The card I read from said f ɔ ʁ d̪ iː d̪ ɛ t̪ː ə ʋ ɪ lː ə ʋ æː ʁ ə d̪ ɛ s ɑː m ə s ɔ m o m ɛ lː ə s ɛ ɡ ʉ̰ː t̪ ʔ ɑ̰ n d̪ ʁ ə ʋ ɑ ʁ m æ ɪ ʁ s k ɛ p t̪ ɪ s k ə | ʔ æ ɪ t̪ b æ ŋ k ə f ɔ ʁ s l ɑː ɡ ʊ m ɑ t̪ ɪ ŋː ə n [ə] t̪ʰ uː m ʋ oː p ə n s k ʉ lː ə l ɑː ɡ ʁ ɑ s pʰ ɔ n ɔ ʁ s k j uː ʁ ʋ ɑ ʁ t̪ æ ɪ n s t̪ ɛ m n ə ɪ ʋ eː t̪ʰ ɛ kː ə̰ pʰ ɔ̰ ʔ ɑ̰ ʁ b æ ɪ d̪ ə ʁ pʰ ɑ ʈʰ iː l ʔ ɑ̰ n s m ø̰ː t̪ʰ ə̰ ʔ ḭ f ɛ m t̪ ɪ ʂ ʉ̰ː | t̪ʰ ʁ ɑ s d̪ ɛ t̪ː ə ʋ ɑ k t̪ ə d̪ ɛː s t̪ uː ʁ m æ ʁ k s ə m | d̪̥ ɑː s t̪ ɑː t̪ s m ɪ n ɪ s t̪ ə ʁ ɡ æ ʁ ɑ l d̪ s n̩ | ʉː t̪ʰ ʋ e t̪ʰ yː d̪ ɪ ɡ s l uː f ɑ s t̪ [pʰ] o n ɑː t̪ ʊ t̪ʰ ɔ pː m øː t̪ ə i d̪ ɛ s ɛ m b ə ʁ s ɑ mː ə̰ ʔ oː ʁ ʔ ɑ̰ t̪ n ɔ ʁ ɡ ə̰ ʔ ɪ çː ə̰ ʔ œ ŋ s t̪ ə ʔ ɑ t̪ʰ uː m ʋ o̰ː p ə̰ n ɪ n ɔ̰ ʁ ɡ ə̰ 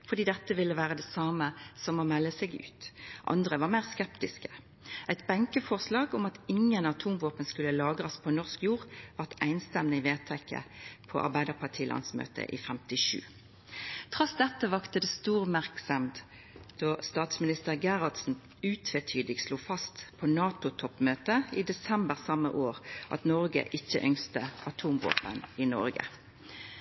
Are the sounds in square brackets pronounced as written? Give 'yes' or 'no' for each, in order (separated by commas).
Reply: no, yes